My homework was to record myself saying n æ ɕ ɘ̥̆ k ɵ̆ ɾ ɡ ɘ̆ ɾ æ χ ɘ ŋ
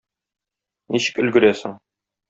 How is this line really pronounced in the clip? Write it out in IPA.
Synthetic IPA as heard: n i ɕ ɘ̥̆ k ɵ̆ l ɡ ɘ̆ ɾ æ s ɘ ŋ